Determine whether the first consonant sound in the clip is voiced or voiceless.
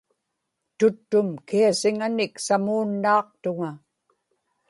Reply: voiceless